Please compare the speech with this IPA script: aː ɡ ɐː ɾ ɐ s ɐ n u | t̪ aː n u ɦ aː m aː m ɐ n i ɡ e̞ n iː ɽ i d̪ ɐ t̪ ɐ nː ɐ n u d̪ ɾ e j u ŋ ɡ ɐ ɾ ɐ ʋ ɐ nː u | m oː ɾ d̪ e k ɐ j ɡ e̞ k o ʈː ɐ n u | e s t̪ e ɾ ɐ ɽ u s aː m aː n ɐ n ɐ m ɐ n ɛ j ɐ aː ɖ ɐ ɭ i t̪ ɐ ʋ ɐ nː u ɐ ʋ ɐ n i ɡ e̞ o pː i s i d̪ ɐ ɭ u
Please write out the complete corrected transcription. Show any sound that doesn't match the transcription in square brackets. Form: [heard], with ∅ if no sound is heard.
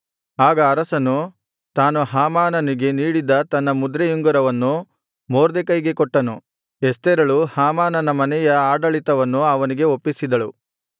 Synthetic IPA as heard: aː ɡ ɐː ɾ ɐ s ɐ n u | t̪ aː n u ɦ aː m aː [n] ɐ n i ɡ e̞ n iː ɽ i d̪ ɐ t̪ ɐ nː ɐ [m] u d̪ ɾ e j u ŋ ɡ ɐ ɾ ɐ ʋ ɐ nː u | m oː ɾ d̪ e k ɐ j ɡ e̞ k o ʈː ɐ n u | e s t̪ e ɾ ɐ [ɭ] u [h] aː m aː n ɐ n ɐ m ɐ n ɛ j ɐ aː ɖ ɐ ɭ i t̪ ɐ ʋ ɐ nː u ɐ ʋ ɐ n i ɡ e̞ o pː i s i d̪ ɐ ɭ u